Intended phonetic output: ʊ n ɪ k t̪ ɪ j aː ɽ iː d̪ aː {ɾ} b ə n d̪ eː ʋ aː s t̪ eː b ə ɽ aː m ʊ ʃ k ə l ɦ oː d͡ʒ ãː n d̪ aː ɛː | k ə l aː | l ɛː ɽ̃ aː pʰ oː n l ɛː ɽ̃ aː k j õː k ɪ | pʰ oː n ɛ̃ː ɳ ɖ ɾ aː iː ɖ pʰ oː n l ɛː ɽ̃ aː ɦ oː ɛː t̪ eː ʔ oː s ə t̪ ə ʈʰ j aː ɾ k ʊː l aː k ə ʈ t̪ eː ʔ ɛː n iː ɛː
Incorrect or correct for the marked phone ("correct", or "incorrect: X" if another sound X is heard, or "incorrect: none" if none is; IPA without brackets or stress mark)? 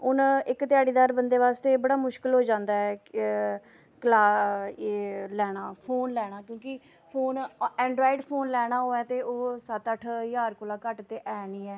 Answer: correct